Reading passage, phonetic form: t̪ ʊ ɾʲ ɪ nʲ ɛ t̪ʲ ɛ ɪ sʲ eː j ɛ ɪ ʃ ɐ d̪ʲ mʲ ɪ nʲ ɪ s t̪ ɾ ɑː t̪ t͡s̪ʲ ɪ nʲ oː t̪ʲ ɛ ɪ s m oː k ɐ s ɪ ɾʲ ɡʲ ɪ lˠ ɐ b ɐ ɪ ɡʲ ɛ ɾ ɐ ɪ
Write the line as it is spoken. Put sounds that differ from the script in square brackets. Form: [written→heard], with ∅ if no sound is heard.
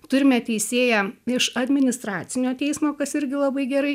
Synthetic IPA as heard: t̪ ʊ ɾʲ ɪ [nʲ→mʲ] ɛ t̪ʲ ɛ ɪ sʲ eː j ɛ ɪ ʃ ɐ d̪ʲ mʲ ɪ nʲ ɪ s t̪ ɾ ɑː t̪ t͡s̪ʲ ɪ nʲ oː t̪ʲ ɛ ɪ s m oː k ɐ s ɪ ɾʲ ɡʲ ɪ lˠ ɐ b ɐ ɪ ɡʲ ɛ ɾ ɐ ɪ